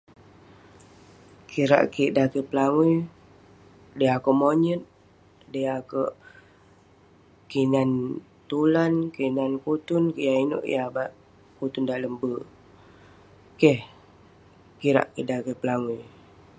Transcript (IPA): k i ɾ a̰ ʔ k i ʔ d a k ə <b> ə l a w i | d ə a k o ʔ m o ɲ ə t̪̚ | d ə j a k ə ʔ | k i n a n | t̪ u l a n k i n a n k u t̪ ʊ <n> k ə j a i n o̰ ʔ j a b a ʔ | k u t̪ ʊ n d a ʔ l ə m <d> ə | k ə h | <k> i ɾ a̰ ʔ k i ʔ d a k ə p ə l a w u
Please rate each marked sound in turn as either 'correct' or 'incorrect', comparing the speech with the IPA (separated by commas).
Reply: incorrect, correct, incorrect, correct